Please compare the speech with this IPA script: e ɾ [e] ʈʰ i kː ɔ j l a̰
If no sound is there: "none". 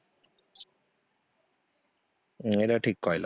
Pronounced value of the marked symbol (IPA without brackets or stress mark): a